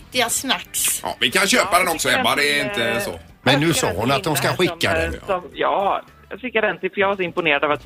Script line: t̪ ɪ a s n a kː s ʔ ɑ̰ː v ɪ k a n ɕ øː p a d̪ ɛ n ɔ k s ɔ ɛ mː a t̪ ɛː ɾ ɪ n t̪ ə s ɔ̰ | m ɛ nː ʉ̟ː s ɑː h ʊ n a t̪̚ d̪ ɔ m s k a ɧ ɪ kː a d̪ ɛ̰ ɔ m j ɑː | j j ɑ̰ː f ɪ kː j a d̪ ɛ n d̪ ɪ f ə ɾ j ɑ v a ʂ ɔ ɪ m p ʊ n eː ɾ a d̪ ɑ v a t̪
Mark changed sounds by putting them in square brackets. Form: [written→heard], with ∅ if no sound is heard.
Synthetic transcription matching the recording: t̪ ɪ a s n a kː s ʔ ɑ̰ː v ɪ k a n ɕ øː p a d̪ ɛ n ɔ k s ɔ ɛ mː a [t̪→d̪] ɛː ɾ ɪ n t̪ ə s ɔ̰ | m ɛ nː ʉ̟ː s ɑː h ʊ n a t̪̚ d̪ ɔ m s k a ɧ ɪ kː a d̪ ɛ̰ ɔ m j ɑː | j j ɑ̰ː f ɪ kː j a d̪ ɛ n [d̪→t̪] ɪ f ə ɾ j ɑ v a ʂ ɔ ɪ m p ʊ n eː ɾ a d̪ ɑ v a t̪